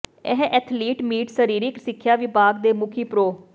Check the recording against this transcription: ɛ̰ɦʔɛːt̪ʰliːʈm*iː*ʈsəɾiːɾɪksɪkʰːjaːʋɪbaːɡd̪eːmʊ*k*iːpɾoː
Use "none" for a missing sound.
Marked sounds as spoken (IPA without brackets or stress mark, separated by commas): iː, kʰ